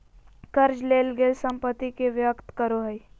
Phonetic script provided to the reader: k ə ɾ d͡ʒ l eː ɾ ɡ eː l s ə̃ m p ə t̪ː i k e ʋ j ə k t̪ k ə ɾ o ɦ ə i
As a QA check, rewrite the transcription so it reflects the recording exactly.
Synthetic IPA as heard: k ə ɾ d͡ʒ l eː l ɡ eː l s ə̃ m p ə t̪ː i k e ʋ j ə k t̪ k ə ɾ o ɦ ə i